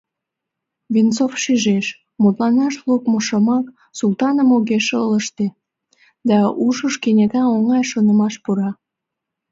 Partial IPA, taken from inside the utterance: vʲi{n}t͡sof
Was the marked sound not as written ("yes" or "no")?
no